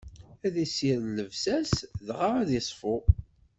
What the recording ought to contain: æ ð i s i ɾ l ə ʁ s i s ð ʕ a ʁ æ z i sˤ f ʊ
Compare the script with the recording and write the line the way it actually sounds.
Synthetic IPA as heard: æ ð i s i ɾ l ə v s æ s ð ʁ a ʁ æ ð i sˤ f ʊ